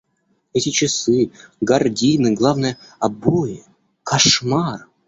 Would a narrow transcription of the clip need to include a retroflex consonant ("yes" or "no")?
yes